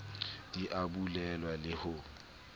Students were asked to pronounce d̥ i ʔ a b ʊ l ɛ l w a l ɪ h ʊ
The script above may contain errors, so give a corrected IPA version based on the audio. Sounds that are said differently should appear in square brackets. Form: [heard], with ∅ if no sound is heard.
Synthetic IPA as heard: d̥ i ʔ a b [u] l ɛ l w a l ɪ h ʊ